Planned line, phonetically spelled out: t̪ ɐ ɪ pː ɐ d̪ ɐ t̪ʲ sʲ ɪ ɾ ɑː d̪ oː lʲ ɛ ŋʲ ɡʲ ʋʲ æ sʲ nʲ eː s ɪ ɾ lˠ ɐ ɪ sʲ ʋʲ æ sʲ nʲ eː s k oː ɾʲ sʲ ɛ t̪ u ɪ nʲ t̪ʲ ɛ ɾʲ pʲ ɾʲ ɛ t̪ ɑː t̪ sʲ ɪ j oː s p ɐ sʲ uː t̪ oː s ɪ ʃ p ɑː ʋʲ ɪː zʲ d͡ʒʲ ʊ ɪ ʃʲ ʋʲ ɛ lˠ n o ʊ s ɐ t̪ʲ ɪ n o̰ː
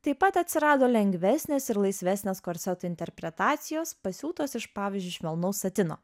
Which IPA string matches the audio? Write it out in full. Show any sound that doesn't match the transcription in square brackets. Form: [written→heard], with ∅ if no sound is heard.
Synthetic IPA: t̪ ɐ ɪ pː ɐ [d̪→t̪] ɐ t̪ʲ sʲ ɪ ɾ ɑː d̪ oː lʲ ɛ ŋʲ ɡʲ ʋʲ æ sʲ nʲ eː s ɪ ɾ lˠ ɐ ɪ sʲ ʋʲ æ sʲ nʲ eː s k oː ɾʲ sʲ ɛ t̪ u ɪ nʲ t̪ʲ ɛ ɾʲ pʲ ɾʲ ɛ t̪ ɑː t̪ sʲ ɪ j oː s p ɐ sʲ uː t̪ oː s ɪ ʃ p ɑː ʋʲ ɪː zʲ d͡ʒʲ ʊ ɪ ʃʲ ʋʲ ɛ lˠ n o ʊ s ɐ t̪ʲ ɪ n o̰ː